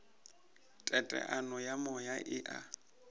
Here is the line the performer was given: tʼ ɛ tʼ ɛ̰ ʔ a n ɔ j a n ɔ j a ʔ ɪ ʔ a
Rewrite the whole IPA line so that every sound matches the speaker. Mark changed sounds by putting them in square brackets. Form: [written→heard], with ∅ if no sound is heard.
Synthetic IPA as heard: tʼ ɛ tʼ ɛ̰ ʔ a n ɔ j a [n→m] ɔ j a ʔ ɪ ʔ a